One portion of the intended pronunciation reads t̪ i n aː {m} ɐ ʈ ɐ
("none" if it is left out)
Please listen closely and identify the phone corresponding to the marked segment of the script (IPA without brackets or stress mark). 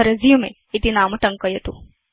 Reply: m